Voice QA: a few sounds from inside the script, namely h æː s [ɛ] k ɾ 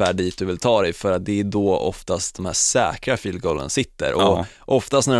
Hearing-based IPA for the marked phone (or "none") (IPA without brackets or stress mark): ɛː